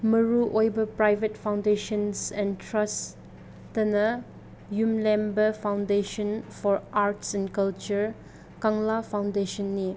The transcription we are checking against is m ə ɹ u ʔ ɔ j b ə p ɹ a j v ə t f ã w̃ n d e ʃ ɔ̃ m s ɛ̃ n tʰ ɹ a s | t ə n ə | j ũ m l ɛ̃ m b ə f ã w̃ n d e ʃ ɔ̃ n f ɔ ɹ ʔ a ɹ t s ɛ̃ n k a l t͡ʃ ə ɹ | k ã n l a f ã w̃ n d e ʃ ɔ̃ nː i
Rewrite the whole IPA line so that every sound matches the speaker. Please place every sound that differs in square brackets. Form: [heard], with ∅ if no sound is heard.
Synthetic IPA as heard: m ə ɹ u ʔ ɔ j b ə p ɹ a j v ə t f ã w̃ n d e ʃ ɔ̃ [n] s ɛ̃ n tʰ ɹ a s | t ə n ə | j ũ m l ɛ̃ m b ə f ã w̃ n d e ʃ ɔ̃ n f ɔ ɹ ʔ a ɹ t s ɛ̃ n k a l t͡ʃ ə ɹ | k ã [ŋ] l a f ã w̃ n d e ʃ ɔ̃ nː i